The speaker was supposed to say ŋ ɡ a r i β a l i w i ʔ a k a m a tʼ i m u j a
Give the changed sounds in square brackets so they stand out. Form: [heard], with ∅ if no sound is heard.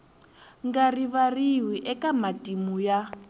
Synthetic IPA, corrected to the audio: ŋ ɡ a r i β a [r] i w i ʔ [ɛ] k a m a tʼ i m u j a